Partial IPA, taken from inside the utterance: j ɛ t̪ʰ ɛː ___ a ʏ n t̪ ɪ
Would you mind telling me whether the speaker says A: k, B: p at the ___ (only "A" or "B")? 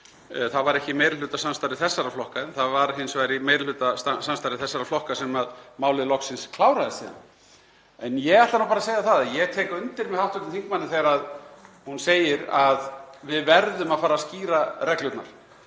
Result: A